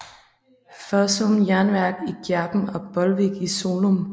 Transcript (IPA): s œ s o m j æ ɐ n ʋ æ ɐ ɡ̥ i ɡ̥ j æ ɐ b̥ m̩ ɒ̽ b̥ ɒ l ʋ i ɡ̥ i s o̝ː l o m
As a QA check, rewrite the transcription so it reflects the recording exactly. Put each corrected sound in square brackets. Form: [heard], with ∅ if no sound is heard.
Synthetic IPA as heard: [f] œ s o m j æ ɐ n ʋ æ ɐ ɡ̥ i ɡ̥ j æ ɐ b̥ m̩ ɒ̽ b̥ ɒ l ʋ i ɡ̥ i s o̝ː l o m